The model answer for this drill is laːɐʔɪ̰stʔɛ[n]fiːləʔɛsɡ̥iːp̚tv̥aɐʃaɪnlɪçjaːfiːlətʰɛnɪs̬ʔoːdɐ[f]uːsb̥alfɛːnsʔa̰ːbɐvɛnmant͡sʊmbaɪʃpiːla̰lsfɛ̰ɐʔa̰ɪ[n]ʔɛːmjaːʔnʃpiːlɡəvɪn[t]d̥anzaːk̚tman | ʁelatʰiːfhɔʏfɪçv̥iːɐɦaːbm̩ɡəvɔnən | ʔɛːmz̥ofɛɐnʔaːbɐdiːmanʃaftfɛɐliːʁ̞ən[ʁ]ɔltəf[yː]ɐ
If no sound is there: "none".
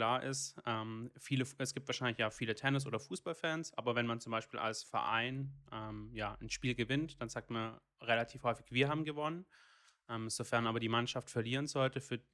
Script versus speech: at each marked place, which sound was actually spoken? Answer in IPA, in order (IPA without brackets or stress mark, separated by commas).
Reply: m, f, n, t, z, yː